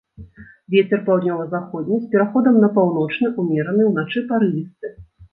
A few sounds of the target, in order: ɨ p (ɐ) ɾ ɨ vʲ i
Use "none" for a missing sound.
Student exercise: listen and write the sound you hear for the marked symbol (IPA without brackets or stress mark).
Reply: a